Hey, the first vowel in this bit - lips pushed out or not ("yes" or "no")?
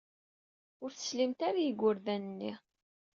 yes